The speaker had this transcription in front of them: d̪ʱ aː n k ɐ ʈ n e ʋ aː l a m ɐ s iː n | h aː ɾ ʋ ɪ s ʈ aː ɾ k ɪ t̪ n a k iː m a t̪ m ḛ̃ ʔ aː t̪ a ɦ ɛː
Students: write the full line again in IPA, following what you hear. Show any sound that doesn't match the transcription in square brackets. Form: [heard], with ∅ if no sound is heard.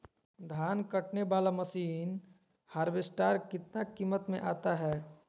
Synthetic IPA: d̪ʱ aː n k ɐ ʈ n e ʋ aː l a m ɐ s iː n | h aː ɾ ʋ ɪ s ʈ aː ɾ k ɪ t̪ n a k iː m [ə] t̪ m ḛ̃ ʔ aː t̪ a ɦ ɛː